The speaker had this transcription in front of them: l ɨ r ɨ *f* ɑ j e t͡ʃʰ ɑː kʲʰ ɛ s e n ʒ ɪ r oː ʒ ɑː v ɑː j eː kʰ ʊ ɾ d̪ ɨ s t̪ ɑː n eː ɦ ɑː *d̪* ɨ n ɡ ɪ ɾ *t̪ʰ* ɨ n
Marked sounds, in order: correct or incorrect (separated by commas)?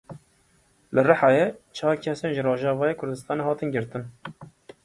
incorrect, incorrect, incorrect